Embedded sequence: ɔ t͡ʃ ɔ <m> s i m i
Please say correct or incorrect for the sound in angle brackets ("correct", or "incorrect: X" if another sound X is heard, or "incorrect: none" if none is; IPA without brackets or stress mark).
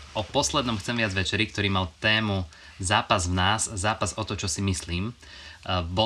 incorrect: none